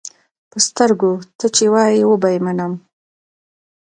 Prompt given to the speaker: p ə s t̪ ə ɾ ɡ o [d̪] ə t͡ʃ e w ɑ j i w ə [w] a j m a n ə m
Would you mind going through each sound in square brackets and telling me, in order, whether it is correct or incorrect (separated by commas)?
incorrect, incorrect